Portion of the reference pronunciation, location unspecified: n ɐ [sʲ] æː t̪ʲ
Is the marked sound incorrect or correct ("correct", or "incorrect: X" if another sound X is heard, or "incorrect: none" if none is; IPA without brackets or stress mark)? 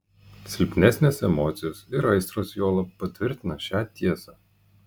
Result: incorrect: ʃʲ